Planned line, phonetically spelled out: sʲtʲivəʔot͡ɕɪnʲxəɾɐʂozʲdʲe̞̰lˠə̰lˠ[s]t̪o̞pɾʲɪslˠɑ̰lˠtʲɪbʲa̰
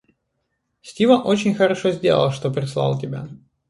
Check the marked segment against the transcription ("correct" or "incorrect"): incorrect